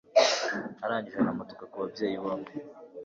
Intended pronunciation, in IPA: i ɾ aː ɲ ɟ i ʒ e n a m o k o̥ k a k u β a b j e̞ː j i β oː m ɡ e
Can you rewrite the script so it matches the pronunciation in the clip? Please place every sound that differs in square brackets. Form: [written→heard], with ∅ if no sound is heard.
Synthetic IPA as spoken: [i→a] ɾ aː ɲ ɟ i ʒ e n a m o [k→t] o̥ k a k u β a b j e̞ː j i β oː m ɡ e